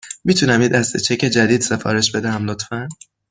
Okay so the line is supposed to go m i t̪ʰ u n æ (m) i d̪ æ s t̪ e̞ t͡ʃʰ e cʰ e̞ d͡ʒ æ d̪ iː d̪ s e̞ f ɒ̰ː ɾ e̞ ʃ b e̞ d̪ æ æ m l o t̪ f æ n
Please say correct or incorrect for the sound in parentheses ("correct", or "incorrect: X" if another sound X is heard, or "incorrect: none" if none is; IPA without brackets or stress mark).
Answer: correct